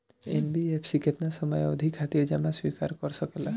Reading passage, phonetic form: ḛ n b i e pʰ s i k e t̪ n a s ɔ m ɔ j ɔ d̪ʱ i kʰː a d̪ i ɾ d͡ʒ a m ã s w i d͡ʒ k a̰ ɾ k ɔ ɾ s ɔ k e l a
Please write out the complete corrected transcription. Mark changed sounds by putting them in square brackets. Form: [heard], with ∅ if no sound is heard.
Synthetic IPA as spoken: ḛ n b i e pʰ s i k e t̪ n a s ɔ m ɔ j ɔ d̪ʱ i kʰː a [t̪] i ɾ d͡ʒ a m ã s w i [∅] k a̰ ɾ k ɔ ɾ s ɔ k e l a